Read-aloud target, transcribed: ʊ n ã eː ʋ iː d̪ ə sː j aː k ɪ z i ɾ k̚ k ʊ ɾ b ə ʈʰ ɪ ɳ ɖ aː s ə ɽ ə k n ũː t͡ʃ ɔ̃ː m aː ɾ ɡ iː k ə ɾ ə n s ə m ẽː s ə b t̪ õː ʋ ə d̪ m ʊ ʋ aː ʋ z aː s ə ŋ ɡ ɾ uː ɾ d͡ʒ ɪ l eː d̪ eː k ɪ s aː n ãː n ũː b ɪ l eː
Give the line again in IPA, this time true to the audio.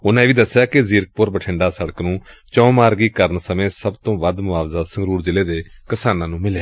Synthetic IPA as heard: ʊ n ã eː ʋ iː d̪ ə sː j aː k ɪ z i ɾ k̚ p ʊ ɾ b ə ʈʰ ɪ ɳ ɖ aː s ə ɽ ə k n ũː t͡ʃ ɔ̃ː m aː ɾ ɡ iː k ə ɾ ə n s ə m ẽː s ə b t̪ õː ʋ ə d̪ m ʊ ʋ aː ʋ z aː s ə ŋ ɡ ɾ uː ɾ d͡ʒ ɪ l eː d̪ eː k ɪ s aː n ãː n ũː m ɪ l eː

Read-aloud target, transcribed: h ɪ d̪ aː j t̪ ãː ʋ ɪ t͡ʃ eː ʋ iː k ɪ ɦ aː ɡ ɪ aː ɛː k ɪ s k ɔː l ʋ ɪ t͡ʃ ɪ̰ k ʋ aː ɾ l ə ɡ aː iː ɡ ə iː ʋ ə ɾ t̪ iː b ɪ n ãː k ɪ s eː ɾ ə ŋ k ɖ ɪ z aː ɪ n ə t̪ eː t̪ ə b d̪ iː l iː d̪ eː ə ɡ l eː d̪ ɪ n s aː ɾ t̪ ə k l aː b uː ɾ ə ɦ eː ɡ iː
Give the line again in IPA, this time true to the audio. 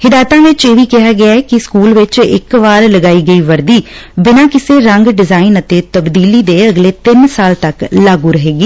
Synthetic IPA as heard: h ɪ d̪ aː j t̪ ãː ʋ ɪ t͡ʃ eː ʋ iː k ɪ ɦ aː ɡ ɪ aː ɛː k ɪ s k uː l ʋ ɪ t͡ʃ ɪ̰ k ʋ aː ɾ l ə ɡ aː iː ɡ ə iː ʋ ə ɾ d̪ iː b ɪ n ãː k ɪ s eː ɾ ə ŋ ɡ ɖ ɪ z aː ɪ n ə t̪ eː t̪ ə b d̪ iː l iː d̪ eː ə ɡ l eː t̪ ɪ n s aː l t̪ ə k l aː ɡ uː ɾ ə ɦ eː ɡ iː

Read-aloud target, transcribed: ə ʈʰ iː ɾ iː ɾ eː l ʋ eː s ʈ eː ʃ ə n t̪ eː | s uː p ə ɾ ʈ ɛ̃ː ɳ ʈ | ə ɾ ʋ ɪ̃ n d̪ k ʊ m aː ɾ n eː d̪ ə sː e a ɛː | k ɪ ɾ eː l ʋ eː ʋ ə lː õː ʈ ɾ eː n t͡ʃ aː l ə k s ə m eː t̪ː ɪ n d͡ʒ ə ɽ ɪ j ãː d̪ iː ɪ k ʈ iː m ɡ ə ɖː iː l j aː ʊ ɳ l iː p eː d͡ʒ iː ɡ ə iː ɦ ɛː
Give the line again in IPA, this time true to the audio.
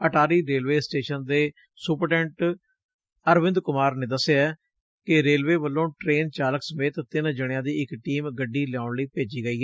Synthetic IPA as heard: ə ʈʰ aː ɾ iː ɾ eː l ʋ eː s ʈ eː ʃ ə n d̪ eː | s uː p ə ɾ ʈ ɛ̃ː ɳ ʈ | ə ɾ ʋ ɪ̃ n d̪ k ʊ m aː ɾ n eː d̪ ə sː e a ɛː | k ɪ ɾ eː l ʋ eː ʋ ə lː õː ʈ ɾ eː n t͡ʃ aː l ə k s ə m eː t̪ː ɪ n d͡ʒ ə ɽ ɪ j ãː d̪ iː ɪ k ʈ iː m ɡ ə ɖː iː l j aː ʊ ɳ l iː p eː d͡ʒ iː ɡ ə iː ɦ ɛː

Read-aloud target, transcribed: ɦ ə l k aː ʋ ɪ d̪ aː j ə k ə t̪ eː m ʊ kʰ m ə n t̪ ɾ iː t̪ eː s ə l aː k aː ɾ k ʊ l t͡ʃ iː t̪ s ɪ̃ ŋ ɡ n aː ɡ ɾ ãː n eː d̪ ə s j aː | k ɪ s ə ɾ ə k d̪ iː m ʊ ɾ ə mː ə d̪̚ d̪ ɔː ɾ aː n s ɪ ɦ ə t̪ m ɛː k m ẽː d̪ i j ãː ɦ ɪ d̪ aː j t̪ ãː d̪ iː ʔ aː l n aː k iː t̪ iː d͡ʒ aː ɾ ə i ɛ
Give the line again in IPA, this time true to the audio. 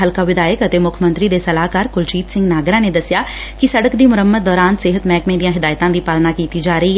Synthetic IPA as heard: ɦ ə l k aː ʋ ɪ d̪ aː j ə k ə t̪ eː m ʊ kʰ m ə n t̪ ɾ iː d̪ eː s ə l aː k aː ɾ k ʊ l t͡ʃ iː t̪ s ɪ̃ ŋ ɡ n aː ɡ ɾ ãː n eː d̪ ə s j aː | k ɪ s ə ɽ ə k d̪ iː m ʊ ɾ ə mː ə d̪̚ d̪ ɔː ɾ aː n s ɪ ɦ ə t̪ m ɛː k m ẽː d̪ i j ãː ɦ ɪ d̪ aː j t̪ ãː d̪ iː p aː l n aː k iː t̪ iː d͡ʒ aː ɾ ə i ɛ

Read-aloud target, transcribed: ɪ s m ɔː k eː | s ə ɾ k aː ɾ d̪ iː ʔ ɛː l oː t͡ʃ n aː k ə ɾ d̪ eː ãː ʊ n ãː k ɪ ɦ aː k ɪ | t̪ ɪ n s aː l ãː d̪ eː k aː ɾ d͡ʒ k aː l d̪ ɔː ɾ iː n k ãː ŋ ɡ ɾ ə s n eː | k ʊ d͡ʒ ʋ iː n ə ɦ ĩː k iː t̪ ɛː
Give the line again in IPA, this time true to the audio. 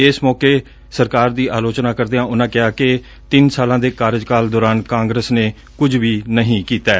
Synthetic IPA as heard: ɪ s m ɔː k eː | s ə ɾ k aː ɾ d̪ iː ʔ aː l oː t͡ʃ n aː k ə ɾ d̪ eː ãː ʊ n ãː k ɪ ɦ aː k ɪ | t̪ ɪ n s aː l ãː d̪ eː k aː ɾ d͡ʒ k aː l d̪ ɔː ɾ aː n k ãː ŋ ɡ ɾ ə s n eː | k ʊ d͡ʒ ʋ iː n ə ɦ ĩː k iː t̪ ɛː

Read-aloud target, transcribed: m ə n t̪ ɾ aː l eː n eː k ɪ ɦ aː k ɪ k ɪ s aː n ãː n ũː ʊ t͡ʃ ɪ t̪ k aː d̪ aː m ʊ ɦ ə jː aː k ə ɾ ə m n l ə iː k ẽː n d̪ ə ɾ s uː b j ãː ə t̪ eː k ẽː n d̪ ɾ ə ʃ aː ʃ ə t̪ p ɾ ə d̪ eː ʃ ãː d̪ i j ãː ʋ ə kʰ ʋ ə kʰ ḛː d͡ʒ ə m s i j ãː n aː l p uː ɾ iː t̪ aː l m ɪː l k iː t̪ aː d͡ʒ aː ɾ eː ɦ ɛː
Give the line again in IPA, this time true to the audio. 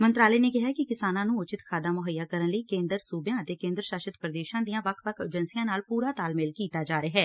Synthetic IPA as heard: m ə n t̪ ɾ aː l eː n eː k ɪ ɦ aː k ɪ k ɪ s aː n ãː n ũː ʊ t͡ʃ ɪ t̪ kʰ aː d̪ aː m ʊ ɦ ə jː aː k ə ɾ ə n l ə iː k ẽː n d̪ ə ɾ s uː b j ãː ə t̪ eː k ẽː n d̪ ɾ ə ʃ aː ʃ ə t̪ p ɾ ə d̪ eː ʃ ãː d̪ i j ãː ʋ ə kʰ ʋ ə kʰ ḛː d͡ʒ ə n s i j ãː n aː l p uː ɾ aː t̪ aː l m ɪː l k iː t̪ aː d͡ʒ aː ɾ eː ɦ ɛː

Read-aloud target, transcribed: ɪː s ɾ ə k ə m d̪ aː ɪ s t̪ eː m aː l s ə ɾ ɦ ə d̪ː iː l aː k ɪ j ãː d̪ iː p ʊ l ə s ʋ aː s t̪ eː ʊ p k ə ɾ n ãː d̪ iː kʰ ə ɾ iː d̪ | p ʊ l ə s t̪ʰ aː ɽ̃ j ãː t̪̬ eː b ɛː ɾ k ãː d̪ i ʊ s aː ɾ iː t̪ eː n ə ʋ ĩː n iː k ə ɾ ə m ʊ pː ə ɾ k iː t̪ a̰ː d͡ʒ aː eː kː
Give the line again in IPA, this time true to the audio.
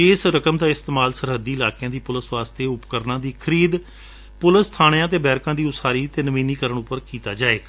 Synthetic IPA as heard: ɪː s ɾ ə k ə m d̪ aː ɪ s t̪ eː m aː l s ə ɾ ɦ ə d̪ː iː l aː k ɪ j ãː d̪ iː p ʊ l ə s ʋ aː s t̪ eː ʊ p k ə ɾ n ãː d̪ iː kʰ ə ɾ iː d̪ | p ʊ l ə s t̪ʰ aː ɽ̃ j ãː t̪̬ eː b ɛː ɾ k ãː d̪ iː ʊ s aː ɾ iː t̪ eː n ə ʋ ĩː n iː k ə ɾ ə ɳ ʊ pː ə ɾ k iː t̪ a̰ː d͡ʒ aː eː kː

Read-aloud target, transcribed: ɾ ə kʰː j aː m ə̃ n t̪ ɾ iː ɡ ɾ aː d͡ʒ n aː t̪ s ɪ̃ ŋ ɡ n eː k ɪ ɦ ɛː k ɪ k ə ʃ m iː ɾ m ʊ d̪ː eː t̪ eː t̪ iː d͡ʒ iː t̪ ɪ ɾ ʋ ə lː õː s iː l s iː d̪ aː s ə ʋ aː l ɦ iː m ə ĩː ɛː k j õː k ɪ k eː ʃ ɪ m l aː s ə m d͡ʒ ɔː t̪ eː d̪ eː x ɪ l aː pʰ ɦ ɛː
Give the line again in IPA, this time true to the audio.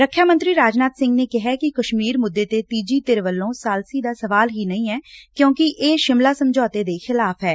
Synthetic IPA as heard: ɾ ə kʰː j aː m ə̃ n t̪ ɾ iː ɾ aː d͡ʒ n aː t̪ s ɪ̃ ŋ ɡ n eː k ɪ ɦ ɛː k ɪ k ə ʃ m iː ɾ m ʊ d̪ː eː t̪ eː t̪ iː d͡ʒ iː t̪ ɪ ɾ ʋ ə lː õː s aː l s iː d̪ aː s ə ʋ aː l ɦ iː n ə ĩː ɛː k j õː k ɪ ʔ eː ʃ ɪ m l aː s ə m d͡ʒ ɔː t̪ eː d̪ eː x ɪ l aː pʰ ɦ ɛː

